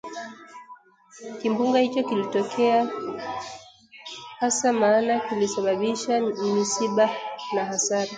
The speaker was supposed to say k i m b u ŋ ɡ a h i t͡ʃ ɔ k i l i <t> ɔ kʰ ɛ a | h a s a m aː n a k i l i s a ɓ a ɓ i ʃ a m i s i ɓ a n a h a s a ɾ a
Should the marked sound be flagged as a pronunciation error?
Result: no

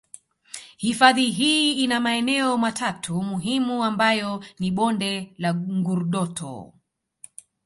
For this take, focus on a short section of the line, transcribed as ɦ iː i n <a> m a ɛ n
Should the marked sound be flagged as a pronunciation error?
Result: no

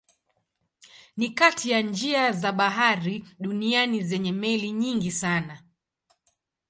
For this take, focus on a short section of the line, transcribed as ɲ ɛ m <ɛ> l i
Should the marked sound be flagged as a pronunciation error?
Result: no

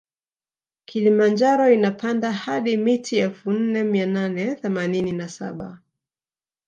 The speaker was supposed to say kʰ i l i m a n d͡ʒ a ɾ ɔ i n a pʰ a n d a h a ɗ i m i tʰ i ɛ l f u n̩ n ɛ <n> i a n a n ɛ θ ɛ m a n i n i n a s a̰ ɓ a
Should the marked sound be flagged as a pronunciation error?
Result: yes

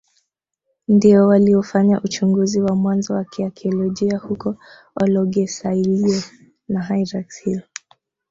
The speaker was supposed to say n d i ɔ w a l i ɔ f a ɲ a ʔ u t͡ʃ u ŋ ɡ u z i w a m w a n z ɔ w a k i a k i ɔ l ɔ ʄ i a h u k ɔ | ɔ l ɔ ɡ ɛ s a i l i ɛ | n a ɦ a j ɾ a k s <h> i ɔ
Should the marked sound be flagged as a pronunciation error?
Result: no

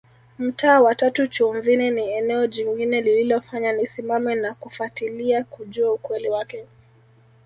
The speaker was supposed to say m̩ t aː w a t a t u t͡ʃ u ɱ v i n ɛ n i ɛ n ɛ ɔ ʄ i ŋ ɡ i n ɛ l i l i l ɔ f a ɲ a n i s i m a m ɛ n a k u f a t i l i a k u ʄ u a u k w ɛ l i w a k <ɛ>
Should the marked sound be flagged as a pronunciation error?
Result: no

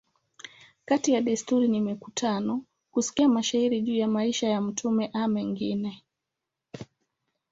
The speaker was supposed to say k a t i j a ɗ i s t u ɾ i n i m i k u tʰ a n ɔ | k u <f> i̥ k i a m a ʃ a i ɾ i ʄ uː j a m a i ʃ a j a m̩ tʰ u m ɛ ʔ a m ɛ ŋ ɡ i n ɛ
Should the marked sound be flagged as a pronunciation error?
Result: yes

